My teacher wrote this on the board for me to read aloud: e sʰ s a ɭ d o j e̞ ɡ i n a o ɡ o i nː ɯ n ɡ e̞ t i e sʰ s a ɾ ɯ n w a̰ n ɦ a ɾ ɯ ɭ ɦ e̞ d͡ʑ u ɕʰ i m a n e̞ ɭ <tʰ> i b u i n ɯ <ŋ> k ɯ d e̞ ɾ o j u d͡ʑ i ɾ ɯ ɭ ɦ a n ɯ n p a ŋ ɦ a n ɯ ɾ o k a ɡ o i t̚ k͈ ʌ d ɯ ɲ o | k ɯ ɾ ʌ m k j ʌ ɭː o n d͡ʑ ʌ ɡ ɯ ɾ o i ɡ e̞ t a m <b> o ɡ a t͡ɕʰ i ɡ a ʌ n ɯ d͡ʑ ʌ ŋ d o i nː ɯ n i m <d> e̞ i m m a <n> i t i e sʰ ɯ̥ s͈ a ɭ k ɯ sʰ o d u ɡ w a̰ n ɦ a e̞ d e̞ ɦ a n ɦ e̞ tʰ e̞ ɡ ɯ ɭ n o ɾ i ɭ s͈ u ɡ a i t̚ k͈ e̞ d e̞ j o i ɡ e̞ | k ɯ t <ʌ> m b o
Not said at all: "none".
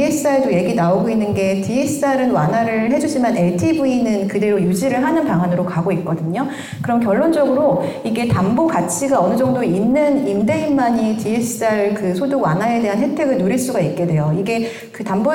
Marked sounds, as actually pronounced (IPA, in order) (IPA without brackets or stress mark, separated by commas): tʰ, n, b, d, ɲ, a